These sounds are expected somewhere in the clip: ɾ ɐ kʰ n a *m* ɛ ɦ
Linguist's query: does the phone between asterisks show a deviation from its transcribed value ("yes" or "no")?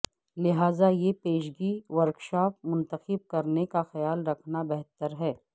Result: yes